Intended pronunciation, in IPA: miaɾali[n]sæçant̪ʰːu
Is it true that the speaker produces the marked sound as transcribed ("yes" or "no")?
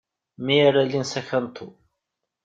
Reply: yes